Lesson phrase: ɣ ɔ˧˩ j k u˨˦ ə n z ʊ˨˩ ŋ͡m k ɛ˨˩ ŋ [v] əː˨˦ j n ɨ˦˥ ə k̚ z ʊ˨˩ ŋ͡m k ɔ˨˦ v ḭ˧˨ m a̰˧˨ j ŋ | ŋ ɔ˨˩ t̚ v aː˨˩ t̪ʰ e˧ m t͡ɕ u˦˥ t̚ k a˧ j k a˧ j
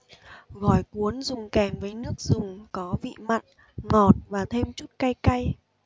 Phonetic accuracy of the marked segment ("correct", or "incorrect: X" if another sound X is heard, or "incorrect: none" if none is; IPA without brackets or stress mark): correct